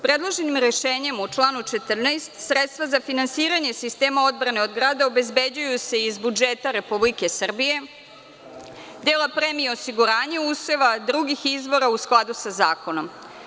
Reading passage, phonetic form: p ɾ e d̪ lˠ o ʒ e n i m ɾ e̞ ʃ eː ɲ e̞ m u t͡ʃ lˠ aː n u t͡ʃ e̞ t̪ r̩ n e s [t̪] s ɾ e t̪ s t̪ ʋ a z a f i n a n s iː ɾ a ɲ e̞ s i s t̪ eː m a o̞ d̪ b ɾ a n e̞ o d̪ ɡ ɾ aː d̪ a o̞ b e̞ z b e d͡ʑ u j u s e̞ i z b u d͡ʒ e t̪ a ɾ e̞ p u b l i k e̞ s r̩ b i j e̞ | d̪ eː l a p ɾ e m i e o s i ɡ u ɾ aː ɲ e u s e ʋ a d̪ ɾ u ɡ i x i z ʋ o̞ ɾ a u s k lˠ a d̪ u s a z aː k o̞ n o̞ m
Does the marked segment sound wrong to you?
no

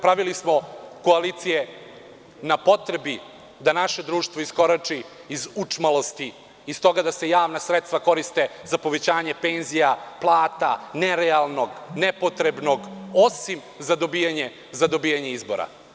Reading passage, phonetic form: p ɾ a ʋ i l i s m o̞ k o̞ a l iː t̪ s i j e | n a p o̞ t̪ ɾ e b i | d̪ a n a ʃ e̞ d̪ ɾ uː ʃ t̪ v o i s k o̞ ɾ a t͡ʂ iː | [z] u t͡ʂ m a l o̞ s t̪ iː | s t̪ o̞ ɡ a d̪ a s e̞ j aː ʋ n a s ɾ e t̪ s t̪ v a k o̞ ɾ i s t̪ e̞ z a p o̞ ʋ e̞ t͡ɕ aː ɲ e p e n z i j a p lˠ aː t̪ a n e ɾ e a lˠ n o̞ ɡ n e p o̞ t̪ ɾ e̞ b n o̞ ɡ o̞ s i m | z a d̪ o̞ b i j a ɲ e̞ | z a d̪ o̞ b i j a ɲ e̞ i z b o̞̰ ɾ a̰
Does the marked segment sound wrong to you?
no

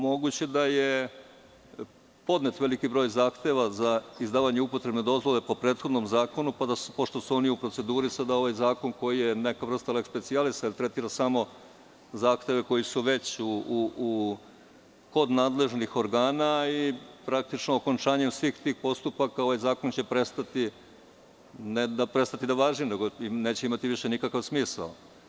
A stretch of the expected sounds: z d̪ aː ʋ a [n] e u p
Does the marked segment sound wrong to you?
yes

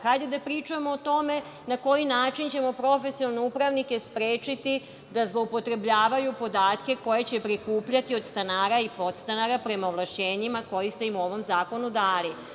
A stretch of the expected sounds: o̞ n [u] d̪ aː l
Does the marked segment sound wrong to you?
no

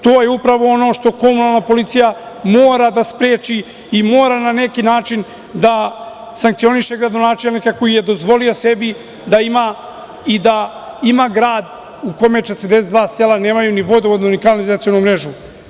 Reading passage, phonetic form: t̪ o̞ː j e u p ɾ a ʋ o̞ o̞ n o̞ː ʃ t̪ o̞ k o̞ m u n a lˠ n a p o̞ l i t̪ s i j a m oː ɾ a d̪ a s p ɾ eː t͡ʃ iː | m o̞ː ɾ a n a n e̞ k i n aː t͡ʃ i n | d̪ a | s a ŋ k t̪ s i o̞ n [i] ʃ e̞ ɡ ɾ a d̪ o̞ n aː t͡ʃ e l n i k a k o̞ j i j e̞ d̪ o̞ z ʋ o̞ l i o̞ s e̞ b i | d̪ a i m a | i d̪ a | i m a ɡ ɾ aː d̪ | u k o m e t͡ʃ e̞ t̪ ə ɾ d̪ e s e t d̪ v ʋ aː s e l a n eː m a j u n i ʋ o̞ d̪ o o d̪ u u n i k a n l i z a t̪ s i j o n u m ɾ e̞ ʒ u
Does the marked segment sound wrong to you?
no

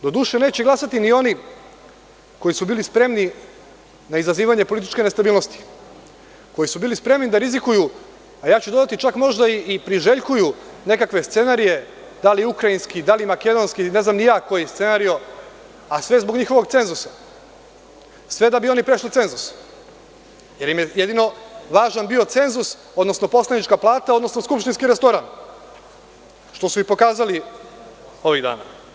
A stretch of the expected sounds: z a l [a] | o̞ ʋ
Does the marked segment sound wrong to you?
yes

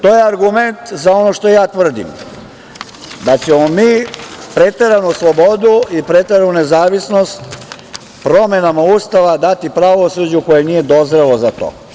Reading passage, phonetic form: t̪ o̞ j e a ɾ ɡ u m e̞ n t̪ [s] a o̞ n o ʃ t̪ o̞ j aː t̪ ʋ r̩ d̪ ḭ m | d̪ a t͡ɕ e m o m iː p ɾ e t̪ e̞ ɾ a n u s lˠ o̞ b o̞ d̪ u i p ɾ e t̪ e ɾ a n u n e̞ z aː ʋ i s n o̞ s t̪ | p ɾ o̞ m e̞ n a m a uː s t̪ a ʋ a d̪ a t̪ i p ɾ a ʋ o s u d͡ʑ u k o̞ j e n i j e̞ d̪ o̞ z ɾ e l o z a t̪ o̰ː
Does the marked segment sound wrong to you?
yes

